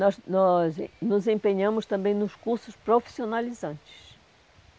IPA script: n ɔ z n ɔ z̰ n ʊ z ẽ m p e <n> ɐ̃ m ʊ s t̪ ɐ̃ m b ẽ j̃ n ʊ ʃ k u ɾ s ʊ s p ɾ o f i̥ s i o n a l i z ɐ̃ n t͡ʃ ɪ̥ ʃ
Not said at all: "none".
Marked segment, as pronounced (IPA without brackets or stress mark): ɲ